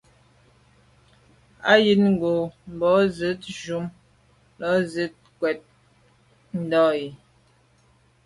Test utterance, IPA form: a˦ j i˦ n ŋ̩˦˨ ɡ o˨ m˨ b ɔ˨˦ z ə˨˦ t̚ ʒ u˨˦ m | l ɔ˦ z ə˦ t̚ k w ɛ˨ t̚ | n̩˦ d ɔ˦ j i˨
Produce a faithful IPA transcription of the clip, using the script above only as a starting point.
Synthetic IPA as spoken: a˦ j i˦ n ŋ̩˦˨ ɡ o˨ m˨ b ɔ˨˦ z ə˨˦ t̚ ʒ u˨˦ m | l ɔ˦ z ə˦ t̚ k w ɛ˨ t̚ | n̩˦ d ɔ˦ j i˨

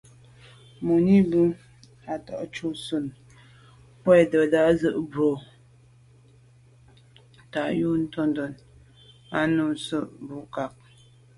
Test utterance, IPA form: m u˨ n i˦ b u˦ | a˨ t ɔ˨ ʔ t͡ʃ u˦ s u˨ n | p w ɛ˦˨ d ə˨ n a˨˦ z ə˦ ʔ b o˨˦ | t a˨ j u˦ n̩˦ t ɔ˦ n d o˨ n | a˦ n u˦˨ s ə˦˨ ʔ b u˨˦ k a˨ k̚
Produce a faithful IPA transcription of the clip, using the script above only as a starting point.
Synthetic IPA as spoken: m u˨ n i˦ b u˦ | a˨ t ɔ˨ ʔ t͡ʃ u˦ s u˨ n | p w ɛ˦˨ d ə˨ d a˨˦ z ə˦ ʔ b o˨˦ | t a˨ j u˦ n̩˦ t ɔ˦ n d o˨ n | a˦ n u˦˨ s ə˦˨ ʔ b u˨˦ k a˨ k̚

